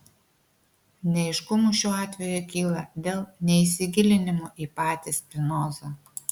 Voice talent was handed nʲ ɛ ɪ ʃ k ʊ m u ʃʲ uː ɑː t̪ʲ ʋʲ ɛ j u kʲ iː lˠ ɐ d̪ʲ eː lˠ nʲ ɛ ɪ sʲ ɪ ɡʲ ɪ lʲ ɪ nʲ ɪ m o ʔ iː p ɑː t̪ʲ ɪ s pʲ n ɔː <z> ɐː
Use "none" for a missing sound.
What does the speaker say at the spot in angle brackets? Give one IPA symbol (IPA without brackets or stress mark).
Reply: z